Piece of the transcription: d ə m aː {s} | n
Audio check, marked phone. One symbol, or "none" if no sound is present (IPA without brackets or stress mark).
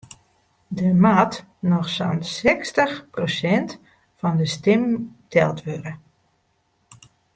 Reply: t